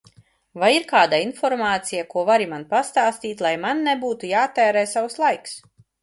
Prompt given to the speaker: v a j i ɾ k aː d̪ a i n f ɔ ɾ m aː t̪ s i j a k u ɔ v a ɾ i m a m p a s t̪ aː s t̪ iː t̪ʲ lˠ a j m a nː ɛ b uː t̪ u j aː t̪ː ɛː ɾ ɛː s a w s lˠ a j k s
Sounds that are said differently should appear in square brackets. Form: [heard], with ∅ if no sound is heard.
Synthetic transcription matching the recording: v a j i ɾ k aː d̪ a i n f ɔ ɾ m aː t̪ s i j a k u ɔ v a ɾ i m a [n] p a s t̪ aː s t̪ iː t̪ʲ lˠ a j m a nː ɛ b uː t̪ u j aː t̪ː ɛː ɾ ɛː s a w s lˠ a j k s